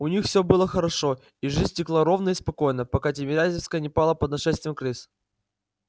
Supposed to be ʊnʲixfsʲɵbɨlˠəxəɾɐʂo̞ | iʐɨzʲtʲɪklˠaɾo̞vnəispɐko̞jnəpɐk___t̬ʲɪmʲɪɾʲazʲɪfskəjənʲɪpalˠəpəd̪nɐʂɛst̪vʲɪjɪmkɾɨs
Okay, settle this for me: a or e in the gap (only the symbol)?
a